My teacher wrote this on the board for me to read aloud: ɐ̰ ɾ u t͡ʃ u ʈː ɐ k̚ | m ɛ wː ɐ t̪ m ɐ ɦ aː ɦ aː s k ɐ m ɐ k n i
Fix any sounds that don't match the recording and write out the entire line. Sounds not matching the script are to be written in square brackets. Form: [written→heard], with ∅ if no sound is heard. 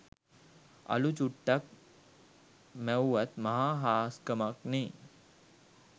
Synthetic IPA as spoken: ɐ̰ [ɾ→l] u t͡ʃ u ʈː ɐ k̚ | m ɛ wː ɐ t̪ m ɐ ɦ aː ɦ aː s k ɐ m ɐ k n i